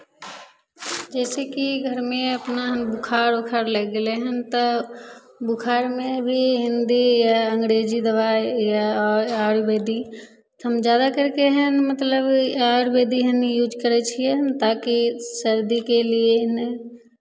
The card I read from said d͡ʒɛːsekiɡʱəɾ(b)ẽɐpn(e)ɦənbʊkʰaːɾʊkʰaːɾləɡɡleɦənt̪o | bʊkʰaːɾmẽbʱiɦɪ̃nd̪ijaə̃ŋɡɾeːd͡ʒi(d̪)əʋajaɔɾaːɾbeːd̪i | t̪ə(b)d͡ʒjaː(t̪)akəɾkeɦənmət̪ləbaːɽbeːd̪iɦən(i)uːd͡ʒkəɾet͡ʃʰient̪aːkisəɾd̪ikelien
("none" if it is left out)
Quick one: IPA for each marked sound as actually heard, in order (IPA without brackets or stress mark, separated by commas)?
m, a, d̪, m, d̪, j